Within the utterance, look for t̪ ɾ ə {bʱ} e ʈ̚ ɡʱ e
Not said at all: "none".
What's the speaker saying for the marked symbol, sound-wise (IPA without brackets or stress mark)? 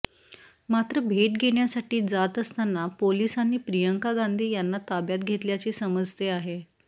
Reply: bʱ